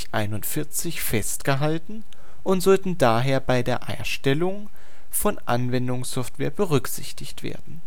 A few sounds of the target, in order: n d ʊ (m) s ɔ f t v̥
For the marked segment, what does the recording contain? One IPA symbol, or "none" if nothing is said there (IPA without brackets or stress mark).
ŋ